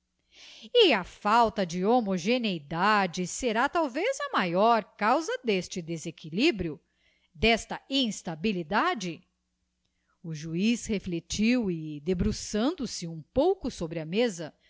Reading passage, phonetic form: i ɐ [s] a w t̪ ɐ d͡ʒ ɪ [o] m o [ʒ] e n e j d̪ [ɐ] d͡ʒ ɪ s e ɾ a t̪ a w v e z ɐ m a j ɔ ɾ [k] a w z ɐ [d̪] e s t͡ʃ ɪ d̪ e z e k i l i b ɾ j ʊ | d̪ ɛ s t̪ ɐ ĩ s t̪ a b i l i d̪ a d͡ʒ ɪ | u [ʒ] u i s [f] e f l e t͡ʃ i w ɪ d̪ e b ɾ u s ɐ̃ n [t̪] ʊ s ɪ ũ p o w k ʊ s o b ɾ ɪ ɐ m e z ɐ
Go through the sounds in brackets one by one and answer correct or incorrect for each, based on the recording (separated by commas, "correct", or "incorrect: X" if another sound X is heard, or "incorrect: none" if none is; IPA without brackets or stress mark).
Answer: incorrect: f, correct, correct, incorrect: a, correct, correct, correct, incorrect: h, incorrect: d̪